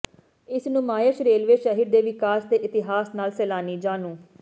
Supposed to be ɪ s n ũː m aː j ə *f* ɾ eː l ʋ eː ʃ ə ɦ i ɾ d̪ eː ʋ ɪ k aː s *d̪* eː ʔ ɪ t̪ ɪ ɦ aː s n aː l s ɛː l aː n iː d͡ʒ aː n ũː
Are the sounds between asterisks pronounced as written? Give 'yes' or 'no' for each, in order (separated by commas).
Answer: no, yes